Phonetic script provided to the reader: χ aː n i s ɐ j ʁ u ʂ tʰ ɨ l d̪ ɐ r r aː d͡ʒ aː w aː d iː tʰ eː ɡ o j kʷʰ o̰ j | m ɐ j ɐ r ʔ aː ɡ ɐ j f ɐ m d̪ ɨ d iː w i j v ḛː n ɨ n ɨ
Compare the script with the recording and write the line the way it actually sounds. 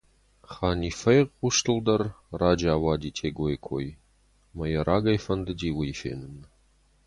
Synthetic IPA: χ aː n i f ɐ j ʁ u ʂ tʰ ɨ l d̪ ɐ r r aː d͡ʒ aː w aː d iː tʰ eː ɡ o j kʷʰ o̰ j | m ɐ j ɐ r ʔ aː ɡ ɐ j f ɐ n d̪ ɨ d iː w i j f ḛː n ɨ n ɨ